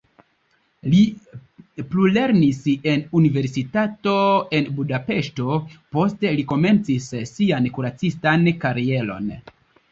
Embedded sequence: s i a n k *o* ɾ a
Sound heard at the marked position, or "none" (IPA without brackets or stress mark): u